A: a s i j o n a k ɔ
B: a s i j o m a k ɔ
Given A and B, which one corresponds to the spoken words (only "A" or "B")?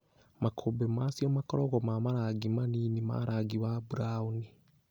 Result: B